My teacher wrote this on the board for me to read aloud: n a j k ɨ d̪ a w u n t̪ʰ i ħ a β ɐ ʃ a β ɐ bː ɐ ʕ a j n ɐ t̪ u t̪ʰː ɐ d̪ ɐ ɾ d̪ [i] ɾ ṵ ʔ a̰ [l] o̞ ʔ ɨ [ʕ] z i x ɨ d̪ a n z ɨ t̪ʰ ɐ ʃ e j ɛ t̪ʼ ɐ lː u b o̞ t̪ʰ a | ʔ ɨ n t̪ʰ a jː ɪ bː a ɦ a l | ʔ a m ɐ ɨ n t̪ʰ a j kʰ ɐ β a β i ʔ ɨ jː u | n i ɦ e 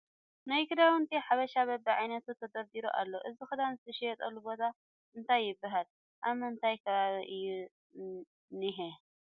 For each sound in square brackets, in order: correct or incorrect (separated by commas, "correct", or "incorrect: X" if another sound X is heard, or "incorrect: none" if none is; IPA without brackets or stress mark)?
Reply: correct, incorrect: lː, incorrect: none